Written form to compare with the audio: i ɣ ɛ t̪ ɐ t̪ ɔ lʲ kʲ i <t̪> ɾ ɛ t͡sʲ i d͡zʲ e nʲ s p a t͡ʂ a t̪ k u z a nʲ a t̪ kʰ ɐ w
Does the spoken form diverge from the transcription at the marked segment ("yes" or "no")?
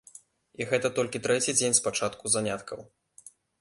no